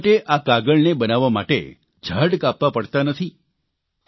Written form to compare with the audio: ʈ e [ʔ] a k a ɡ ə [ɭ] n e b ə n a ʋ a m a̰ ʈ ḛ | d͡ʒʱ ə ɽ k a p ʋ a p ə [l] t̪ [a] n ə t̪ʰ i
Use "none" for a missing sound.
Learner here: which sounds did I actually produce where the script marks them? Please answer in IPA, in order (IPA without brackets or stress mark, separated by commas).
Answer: ʔ, ɭ, ɽ, a